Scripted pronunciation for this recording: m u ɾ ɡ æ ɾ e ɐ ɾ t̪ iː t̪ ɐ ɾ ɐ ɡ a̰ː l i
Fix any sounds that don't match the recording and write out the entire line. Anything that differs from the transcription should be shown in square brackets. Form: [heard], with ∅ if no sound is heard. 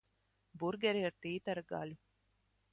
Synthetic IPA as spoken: [b] u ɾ ɡ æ ɾ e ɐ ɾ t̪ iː t̪ ɐ ɾ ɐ ɡ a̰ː l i